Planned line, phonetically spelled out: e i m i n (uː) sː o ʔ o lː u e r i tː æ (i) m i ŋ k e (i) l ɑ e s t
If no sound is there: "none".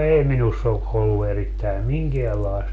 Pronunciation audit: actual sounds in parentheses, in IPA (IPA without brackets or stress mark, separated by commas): u, i, æ